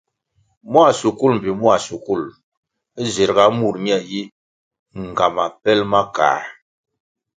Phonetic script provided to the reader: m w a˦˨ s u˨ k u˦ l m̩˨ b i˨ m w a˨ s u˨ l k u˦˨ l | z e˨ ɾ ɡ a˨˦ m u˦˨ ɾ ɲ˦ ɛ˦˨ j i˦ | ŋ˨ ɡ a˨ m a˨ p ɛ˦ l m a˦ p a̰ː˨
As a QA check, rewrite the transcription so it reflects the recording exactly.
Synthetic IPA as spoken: m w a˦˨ s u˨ k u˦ l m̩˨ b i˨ m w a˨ s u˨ k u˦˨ l | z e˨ ɾ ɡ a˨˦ m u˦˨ ɾ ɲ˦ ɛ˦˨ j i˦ | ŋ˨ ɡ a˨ m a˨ p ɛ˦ l m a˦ k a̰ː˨